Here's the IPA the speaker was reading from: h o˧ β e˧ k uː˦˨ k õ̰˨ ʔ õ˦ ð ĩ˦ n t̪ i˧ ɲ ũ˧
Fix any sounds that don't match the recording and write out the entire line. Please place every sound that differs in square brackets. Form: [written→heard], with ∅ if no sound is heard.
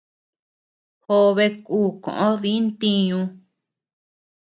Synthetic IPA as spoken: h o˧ β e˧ k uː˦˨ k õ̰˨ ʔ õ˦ ð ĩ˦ n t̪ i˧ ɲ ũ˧